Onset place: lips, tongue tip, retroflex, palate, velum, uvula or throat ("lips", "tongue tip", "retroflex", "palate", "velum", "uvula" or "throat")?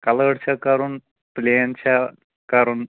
velum